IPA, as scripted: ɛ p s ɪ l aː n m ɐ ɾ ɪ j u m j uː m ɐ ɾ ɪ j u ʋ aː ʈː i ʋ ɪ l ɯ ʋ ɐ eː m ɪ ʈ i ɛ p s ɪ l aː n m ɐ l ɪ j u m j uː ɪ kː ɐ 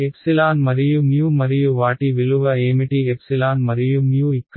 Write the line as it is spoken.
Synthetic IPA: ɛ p s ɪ l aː n m ɐ ɾ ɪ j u m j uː m ɐ ɾ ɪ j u ʋ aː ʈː i ʋ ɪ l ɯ ʋ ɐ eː m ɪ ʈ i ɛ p s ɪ l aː n m ɐ ɾ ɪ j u m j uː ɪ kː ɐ